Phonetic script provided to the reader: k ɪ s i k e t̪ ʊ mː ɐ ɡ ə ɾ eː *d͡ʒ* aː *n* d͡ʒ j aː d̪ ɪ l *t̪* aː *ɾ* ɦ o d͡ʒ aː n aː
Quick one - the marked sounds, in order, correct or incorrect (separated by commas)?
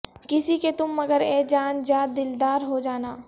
correct, correct, incorrect, correct